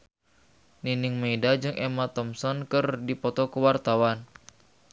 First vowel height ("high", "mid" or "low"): high